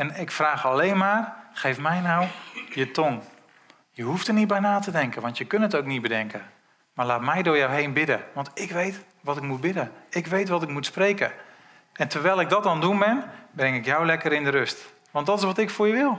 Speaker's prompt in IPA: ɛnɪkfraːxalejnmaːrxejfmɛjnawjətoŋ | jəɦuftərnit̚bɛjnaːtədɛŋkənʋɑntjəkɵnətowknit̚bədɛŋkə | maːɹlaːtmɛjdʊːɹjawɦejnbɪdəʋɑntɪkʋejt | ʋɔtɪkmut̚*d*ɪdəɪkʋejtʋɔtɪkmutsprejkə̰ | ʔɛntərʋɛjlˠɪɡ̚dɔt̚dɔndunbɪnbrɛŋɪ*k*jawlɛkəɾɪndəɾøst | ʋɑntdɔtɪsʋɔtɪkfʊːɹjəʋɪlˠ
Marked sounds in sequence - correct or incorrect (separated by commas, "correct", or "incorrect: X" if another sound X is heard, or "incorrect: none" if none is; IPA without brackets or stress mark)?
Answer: incorrect: b, correct